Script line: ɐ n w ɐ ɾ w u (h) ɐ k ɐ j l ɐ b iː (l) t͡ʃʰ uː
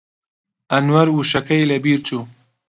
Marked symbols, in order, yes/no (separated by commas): no, no